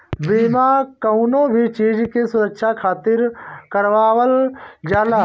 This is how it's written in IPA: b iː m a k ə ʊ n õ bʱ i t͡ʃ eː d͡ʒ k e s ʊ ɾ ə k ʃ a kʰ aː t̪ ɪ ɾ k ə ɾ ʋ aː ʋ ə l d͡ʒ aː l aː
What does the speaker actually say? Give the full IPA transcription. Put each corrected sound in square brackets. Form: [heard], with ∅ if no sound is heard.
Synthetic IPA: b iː m a k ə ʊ n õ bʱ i t͡ʃ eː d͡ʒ k e s ʊ ɾ ə k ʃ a kʰ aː t̪ ɪ ɾ k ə ɾ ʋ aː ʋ ə l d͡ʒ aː l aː